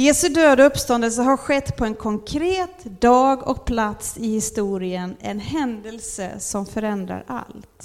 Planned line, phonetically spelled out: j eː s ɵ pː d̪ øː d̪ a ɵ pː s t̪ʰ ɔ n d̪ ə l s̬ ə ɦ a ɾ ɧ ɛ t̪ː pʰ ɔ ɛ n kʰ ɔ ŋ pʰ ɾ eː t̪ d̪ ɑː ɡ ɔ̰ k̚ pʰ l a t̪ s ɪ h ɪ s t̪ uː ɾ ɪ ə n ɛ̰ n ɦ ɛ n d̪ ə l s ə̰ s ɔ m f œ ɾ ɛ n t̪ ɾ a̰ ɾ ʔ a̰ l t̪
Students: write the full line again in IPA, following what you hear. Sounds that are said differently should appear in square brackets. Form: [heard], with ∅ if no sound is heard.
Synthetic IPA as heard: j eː s ɵ [∅] d̪ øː d̪ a ɵ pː s [t̪] ɔ n d̪ ə l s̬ ə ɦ a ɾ ɧ ɛ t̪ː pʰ ɔ ɛ n kʰ ɔ ŋ [kʰ] ɾ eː t̪ d̪ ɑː ɡ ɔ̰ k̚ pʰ l a t̪ s ɪ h ɪ s t̪ uː ɾ ɪ ə n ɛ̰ n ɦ ɛ n d̪ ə l s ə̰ s ɔ m f œ ɾ ɛ n [d̪] ɾ a̰ ɾ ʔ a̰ l t̪